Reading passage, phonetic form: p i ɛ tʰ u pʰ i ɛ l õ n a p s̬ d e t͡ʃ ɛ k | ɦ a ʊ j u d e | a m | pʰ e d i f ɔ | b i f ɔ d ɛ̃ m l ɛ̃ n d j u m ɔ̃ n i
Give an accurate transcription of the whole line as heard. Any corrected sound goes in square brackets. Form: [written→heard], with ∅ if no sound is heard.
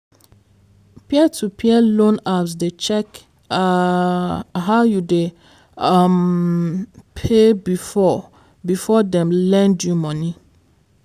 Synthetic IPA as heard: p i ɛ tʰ u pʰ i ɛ l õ n a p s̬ d e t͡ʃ ɛ k | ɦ a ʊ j u d e | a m | pʰ e [d→b] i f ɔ | b i f ɔ d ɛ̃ m l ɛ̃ n d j u m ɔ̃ n i